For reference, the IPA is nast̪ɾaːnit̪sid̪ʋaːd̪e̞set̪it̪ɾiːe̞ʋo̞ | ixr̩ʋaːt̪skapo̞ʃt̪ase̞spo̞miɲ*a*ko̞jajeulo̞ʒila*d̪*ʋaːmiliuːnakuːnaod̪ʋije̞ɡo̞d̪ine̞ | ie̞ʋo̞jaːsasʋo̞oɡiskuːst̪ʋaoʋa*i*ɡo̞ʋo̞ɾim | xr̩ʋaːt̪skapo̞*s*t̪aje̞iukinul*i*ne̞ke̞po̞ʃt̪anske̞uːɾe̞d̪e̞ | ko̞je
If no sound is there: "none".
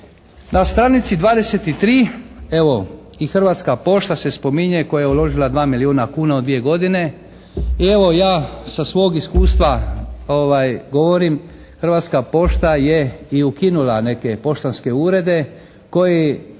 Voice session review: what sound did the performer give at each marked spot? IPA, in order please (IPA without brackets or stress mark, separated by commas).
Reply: e, d̪, j, ʃ, a